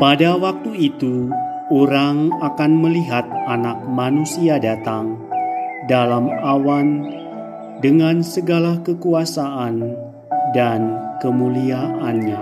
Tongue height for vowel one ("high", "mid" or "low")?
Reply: low